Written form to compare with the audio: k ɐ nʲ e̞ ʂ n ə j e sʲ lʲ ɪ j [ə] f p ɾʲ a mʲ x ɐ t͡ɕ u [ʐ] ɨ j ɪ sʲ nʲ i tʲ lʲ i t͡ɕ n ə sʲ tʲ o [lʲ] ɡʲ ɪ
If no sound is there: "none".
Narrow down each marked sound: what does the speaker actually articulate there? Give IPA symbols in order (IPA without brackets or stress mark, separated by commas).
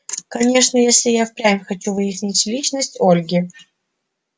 a, v, lʲ